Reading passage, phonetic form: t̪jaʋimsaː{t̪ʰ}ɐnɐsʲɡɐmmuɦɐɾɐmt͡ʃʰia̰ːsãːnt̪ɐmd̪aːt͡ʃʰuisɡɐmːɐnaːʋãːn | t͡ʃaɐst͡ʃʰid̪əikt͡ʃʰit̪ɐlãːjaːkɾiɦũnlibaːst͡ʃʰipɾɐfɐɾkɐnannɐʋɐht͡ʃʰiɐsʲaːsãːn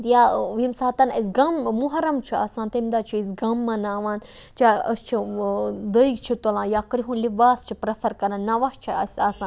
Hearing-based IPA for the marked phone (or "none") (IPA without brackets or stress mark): t̪